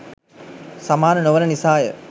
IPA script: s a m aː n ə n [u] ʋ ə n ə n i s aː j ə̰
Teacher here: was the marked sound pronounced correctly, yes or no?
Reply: no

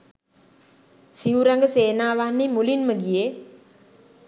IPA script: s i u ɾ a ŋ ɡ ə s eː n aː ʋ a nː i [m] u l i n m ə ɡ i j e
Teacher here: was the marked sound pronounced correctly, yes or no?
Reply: yes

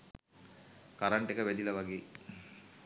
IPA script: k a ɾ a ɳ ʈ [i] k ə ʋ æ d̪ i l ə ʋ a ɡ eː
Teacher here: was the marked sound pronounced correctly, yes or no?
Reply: no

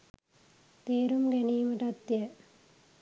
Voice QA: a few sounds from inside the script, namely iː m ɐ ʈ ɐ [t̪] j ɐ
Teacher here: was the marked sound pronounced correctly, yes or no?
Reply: yes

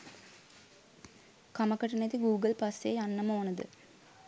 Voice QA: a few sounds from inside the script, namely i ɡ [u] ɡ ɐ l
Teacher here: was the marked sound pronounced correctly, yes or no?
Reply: no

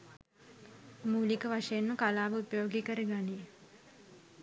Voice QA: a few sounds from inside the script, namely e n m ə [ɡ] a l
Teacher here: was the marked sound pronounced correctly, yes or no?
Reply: no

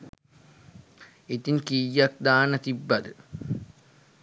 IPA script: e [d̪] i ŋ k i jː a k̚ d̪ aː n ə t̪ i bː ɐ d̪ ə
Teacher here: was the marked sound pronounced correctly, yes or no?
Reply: no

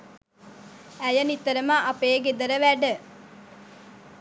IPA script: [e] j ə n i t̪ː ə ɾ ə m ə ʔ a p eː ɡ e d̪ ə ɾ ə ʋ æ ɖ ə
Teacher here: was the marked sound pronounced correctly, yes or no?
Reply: no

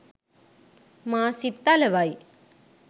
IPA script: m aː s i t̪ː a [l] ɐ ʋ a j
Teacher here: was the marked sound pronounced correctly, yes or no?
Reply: yes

